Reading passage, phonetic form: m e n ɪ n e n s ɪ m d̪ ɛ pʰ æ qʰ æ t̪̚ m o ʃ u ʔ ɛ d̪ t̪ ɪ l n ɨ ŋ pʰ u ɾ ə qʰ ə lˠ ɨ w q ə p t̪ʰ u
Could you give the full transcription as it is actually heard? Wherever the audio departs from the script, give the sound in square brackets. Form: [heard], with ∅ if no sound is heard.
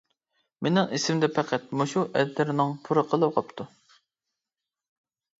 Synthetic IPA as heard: m e n ɪ [ŋ] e [∅] s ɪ m d̪ ɛ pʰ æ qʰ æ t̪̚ m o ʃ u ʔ ɛ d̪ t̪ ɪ [ɾ] n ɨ ŋ pʰ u ɾ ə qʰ ə lˠ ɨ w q [ɑ] p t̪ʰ u